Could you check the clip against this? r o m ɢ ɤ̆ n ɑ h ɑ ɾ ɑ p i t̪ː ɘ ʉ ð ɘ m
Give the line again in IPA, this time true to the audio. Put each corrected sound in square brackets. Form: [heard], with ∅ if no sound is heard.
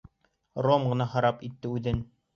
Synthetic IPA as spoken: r o m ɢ ɤ̆ n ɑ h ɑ ɾ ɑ p i t̪ː ɘ ʉ ð ɘ [n]